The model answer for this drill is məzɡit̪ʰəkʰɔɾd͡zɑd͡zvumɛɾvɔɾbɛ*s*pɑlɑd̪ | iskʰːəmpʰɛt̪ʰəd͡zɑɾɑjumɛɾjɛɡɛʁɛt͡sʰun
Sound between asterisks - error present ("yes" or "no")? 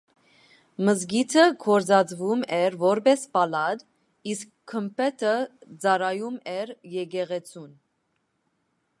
no